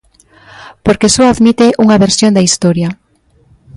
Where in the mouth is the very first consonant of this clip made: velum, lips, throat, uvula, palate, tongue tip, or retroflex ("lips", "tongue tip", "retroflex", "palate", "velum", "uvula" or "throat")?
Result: lips